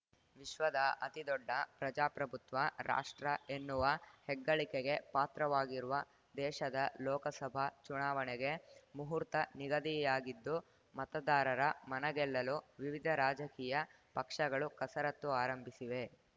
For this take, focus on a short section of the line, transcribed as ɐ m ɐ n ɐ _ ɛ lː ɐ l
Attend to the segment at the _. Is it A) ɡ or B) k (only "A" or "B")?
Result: A